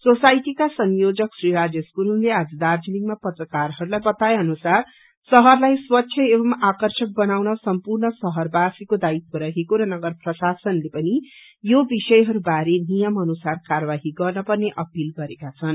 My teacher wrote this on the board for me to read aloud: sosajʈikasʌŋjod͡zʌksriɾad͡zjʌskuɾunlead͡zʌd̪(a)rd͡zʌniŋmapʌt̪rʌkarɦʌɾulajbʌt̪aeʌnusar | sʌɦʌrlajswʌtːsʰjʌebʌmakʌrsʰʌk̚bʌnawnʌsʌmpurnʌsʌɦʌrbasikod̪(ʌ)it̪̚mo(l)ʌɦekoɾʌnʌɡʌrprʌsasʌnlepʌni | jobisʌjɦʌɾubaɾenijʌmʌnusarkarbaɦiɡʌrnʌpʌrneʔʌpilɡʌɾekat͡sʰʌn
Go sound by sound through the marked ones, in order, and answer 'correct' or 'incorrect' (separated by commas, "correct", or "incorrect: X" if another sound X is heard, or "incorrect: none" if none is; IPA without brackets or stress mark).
correct, incorrect: a, incorrect: ɾ